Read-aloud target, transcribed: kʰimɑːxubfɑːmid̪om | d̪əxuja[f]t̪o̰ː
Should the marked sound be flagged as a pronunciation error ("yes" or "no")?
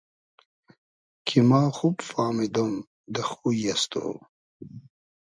yes